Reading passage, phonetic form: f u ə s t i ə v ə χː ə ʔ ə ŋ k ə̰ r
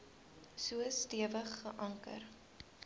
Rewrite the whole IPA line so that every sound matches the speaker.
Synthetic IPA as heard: s u ə s t i ə v ə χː ə ʔ ɐ ŋ k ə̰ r